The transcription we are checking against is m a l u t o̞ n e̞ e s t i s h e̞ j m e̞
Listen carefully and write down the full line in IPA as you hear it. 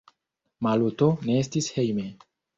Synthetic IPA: m a l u t o̞ n e̞ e s t i s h e̞ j m e̞